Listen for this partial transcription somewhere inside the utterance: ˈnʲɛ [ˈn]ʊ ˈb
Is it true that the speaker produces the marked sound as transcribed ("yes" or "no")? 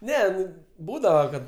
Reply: yes